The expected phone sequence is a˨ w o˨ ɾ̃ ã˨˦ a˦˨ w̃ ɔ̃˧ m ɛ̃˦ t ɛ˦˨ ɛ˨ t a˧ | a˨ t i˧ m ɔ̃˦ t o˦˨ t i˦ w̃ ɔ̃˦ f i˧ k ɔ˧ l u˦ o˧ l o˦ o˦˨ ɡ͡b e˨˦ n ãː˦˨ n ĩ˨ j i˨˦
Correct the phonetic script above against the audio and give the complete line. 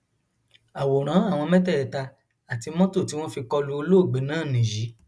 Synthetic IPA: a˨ w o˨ ɾ̃ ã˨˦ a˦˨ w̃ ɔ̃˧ m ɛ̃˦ t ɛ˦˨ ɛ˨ t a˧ | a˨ t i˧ m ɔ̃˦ t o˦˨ t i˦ w̃ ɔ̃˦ f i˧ k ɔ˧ l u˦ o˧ l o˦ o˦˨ ɡ͡b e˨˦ n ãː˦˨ n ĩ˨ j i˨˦